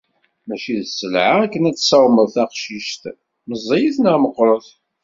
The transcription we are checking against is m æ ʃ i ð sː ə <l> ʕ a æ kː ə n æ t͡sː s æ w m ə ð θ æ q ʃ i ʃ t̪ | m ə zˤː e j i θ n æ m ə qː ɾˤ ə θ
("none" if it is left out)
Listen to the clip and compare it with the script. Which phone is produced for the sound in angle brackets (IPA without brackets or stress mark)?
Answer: l